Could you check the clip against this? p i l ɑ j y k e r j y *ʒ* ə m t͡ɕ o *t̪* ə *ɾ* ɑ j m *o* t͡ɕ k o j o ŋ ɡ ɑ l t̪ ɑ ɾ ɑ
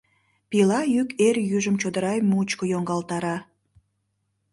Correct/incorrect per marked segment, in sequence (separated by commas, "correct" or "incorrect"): correct, incorrect, correct, incorrect